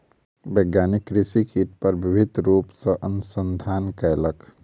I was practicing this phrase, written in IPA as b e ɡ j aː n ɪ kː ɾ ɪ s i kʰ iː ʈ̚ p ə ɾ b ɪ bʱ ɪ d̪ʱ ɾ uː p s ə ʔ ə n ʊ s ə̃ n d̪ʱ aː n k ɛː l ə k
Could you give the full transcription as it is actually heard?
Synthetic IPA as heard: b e ɡ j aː n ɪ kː ɾ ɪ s i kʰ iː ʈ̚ p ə ɾ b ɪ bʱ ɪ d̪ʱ ɾ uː p s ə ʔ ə n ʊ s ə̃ n d̪ʱ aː n k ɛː l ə k

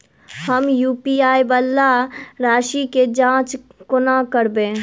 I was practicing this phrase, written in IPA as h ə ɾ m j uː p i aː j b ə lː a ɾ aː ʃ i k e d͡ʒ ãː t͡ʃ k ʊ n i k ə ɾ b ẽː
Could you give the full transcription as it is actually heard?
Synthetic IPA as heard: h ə m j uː p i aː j b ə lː a ɾ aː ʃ i k e d͡ʒ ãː t͡ʃ k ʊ n a k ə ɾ b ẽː

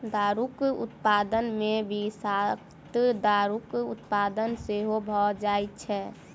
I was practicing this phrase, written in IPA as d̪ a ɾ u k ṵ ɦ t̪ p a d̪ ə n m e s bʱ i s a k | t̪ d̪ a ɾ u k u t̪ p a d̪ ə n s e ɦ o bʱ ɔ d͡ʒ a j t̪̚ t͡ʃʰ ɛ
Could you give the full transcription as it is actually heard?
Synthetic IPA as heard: d̪ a ɾ u k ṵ t̪ p a d̪ ə n m e bʱ i s a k | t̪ d̪ a ɾ u k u t̪ p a d̪ ə n s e ɦ o bʱ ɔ d͡ʒ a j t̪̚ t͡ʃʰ ɛ

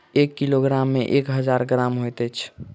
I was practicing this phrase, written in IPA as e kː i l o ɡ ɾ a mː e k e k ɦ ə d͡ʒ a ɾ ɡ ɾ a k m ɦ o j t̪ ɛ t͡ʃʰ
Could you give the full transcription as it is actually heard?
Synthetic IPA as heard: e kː i l o ɡ ɾ a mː e ʔ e k ɦ ə d͡ʒ a ɾ ɡ ɾ a m ɦ o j t̪ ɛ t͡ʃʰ

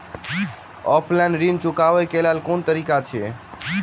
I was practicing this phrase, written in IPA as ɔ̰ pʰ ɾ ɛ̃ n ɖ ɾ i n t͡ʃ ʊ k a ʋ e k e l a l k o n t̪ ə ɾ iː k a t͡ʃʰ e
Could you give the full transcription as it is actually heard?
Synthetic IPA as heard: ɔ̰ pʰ l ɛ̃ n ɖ ɾ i n t͡ʃ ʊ k a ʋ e k e l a l k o n t̪ ə ɾ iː k a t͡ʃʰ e

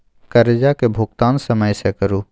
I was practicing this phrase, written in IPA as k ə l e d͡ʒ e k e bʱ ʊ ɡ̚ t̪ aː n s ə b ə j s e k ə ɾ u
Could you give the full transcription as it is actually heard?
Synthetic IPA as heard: k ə ɾ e d͡ʒ a k e bʱ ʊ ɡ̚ t̪ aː n s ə m ə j s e k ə ɾ u

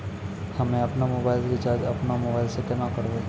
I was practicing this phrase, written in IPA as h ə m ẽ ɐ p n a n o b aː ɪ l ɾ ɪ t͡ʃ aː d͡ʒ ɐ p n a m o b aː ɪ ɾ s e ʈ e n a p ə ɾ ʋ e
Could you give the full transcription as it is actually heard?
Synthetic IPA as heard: h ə m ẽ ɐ p n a m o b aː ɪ l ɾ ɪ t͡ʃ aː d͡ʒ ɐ p n a m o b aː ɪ l s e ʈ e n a k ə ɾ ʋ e

